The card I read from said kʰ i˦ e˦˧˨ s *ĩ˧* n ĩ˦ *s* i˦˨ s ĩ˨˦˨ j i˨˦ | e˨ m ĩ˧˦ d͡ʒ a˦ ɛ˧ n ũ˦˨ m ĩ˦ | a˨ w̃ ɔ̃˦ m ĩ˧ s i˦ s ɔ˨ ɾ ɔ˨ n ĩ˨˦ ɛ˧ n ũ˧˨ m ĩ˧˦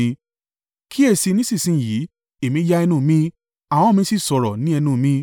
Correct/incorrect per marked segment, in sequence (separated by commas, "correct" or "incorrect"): incorrect, correct